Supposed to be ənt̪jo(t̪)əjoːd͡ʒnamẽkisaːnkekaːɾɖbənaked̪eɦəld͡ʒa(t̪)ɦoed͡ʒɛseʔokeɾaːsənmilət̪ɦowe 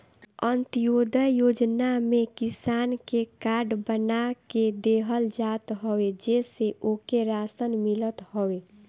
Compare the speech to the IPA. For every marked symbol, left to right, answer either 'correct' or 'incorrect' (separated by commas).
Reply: incorrect, correct